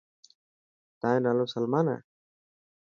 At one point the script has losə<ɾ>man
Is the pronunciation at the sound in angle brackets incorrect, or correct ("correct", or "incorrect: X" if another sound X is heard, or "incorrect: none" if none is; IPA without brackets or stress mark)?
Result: incorrect: l